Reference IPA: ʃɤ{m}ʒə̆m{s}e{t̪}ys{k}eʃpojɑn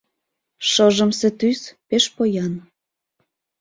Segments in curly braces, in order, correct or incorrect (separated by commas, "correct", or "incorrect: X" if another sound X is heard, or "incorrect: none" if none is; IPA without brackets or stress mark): incorrect: none, correct, correct, incorrect: p